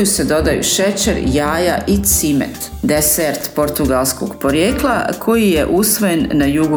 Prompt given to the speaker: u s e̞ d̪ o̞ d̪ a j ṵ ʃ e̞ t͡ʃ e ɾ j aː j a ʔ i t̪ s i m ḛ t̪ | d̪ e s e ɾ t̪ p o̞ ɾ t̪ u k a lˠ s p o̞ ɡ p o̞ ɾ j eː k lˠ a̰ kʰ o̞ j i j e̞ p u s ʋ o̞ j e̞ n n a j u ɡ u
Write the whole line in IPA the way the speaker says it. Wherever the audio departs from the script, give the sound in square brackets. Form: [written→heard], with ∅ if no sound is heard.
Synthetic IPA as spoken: u s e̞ d̪ o̞ d̪ a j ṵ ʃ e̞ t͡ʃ e ɾ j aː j a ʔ i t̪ s i m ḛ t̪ | d̪ e s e ɾ t̪ p o̞ ɾ t̪ u [k→ɡ] a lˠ s [p→k] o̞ ɡ p o̞ ɾ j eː k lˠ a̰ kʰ o̞ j i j e̞ [p→ʔ] u s ʋ o̞ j e̞ n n a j u ɡ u